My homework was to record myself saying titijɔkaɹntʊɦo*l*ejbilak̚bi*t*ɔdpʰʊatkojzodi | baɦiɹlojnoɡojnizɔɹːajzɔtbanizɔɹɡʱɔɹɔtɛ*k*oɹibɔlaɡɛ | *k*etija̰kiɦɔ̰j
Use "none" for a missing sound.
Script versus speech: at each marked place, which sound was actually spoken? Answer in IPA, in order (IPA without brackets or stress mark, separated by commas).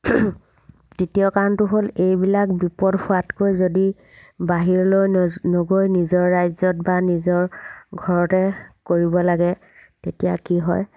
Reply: l, p, k, t